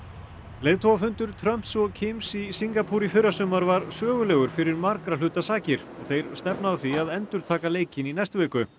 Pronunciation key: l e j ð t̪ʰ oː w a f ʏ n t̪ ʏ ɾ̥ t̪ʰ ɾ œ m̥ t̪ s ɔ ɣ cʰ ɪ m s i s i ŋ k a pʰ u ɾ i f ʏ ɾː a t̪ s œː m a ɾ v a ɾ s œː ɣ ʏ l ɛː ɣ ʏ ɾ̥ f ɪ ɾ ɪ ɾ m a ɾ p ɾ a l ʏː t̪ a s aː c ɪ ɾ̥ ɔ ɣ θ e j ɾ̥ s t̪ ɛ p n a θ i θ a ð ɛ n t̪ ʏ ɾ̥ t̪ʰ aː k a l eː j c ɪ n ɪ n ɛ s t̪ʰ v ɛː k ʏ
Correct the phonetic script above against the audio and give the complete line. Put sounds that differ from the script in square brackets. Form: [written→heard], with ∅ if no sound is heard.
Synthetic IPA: l e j ð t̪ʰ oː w a f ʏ n t̪ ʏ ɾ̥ t̪ʰ ɾ œ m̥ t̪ s ɔ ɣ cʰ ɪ m s i s i ŋ k a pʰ u ɾ i f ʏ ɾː a [t̪→∅] s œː m a ɾ v a ɾ s œː ɣ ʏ l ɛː ɣ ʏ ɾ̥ f ɪ ɾ ɪ ɾ m a ɾ [p→k] ɾ a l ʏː t̪ a s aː c ɪ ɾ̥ ɔ ɣ θ e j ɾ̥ s t̪ ɛ p n a θ i [θ→∅] a ð ɛ n t̪ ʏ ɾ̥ t̪ʰ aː k a l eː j c ɪ n [ɪ→i] n ɛ s [t̪ʰ→t̪] v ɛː k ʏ